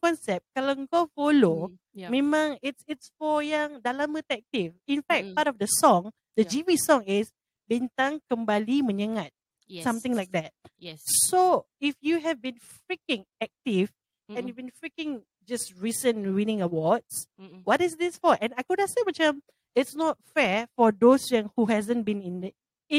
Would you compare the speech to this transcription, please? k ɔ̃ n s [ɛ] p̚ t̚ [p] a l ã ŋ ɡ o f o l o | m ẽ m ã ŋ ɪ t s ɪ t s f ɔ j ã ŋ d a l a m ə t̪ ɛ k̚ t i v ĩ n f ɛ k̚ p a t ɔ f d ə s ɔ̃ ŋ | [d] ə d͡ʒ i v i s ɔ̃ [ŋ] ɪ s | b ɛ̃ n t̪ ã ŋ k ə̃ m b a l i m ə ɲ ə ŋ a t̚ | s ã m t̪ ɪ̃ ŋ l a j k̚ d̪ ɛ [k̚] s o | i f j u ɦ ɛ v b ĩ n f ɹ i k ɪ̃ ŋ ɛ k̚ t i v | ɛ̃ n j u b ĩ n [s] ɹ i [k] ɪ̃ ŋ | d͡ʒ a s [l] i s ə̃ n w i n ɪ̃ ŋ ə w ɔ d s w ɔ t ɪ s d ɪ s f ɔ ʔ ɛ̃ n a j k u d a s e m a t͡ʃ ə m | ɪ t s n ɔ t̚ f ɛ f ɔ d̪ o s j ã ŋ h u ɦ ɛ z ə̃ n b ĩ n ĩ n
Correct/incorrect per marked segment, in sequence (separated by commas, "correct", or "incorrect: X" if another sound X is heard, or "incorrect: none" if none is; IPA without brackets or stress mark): correct, incorrect: k, correct, correct, incorrect: t̚, incorrect: f, correct, incorrect: ɹ